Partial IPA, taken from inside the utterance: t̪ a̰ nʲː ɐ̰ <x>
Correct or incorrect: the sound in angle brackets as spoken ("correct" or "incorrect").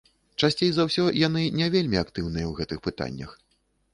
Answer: correct